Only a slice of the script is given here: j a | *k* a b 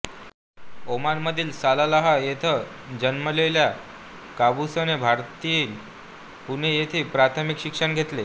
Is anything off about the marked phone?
no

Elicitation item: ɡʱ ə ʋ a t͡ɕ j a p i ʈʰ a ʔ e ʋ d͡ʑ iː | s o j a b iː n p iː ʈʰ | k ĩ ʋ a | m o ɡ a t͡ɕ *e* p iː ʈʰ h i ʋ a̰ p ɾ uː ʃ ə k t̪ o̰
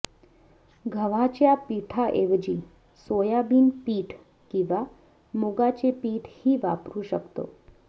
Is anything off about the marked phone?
no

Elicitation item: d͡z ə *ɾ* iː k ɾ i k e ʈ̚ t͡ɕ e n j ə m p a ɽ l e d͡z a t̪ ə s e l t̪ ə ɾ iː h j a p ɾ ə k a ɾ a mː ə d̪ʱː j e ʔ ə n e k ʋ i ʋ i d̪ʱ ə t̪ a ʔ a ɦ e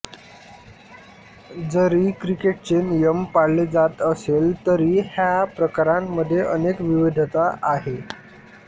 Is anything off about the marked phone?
no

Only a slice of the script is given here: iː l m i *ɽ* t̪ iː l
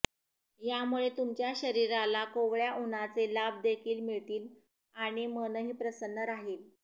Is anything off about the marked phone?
yes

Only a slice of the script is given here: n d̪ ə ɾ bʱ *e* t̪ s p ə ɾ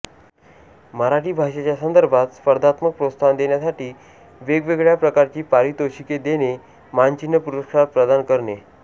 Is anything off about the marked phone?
yes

